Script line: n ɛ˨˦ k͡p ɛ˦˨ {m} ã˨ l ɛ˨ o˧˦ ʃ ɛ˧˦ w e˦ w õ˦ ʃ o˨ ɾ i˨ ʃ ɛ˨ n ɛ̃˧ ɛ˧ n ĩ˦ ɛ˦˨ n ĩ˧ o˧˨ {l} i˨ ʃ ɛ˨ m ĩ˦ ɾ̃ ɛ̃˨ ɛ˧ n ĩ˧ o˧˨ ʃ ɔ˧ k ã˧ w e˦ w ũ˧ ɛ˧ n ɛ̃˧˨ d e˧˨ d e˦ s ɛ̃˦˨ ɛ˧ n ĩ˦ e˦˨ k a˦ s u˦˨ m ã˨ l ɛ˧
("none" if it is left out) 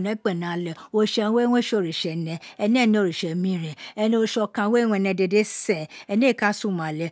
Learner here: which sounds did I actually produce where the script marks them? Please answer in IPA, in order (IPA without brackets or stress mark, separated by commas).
n, ɾ